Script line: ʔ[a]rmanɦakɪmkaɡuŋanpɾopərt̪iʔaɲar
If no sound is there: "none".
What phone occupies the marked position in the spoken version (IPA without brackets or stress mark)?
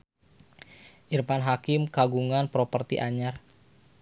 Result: i